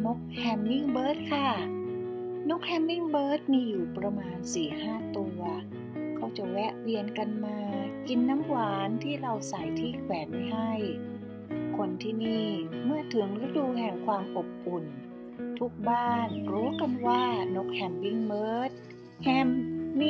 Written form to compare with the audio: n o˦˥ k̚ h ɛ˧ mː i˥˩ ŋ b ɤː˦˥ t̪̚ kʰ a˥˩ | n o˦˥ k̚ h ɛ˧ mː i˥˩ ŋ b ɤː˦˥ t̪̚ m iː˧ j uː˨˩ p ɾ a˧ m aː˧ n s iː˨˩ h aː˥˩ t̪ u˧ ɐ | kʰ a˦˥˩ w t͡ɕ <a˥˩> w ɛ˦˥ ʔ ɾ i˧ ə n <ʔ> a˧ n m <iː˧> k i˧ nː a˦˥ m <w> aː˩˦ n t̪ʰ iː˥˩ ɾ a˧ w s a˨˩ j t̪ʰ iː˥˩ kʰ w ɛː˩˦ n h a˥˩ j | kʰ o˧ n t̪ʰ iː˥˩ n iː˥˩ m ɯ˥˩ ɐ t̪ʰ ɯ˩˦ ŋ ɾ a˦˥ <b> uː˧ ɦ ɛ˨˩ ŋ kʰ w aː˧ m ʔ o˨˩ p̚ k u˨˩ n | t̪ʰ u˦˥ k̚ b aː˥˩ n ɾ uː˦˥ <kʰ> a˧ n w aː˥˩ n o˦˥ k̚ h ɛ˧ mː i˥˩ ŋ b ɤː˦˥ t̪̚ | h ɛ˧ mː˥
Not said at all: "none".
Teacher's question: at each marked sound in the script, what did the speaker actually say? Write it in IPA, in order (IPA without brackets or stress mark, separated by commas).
a˨˩, k, aː˧, w, d, k